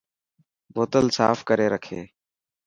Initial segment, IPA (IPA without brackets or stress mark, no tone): b